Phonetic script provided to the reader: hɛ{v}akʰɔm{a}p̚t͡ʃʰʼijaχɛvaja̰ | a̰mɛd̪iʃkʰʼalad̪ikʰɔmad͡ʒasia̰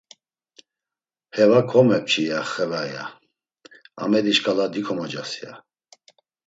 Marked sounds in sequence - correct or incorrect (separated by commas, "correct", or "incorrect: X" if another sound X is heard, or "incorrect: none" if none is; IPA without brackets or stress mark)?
correct, incorrect: ɛ